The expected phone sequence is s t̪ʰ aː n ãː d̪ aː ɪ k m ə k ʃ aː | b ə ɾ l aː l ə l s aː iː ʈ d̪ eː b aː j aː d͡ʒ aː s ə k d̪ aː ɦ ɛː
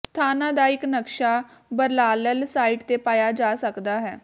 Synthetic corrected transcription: s t̪ʰ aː n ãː d̪ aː ɪ k n ə k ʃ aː | b ə ɾ l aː l ə l s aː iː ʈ t̪ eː p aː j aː d͡ʒ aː s ə k d̪ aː ɦ ɛː